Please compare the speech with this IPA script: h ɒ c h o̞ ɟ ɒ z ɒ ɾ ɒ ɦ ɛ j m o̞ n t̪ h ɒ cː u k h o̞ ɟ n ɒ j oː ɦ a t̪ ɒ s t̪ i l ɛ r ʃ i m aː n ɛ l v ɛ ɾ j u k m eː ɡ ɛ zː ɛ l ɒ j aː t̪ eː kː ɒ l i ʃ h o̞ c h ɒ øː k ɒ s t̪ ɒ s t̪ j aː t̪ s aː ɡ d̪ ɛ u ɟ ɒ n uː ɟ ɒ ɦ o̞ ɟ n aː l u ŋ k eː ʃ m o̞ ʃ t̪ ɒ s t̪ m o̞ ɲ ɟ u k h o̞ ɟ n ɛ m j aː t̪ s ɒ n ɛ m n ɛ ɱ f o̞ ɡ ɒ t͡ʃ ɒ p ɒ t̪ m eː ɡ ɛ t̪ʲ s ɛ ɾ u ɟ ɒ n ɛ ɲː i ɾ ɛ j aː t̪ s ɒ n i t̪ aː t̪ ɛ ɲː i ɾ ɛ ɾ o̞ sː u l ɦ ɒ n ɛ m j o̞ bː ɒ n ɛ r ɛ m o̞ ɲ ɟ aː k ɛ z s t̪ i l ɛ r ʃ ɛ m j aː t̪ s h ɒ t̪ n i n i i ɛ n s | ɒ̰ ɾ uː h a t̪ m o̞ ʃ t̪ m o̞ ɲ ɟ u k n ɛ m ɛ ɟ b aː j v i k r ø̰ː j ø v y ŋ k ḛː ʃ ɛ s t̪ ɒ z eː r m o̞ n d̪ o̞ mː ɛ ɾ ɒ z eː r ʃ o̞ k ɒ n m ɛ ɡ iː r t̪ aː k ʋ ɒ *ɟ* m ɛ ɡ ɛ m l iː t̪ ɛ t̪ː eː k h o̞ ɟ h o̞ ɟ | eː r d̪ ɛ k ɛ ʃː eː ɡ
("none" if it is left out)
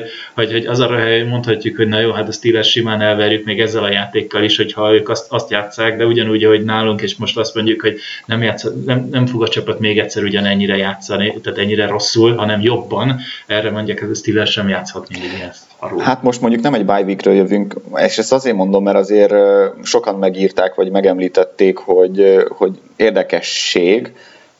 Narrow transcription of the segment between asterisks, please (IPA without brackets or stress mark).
ɟ